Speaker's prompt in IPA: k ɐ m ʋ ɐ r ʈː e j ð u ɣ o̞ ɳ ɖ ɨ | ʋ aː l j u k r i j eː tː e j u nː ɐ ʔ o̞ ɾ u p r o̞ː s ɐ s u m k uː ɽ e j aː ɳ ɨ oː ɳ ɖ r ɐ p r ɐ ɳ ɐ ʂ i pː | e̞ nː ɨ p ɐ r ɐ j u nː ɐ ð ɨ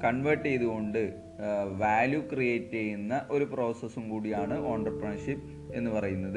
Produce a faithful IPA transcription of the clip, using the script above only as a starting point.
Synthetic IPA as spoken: k ɐ ɳ ʋ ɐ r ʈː e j ð u ɣ o̞ ɳ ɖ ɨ | ʋ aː l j u k r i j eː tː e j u nː ɐ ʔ o̞ ɾ u p r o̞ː s ɐ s u m k uː ɽ i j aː ɳ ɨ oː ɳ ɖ r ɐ p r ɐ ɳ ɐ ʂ i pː | e̞ nː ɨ p ɐ r ɐ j u nː ɐ ð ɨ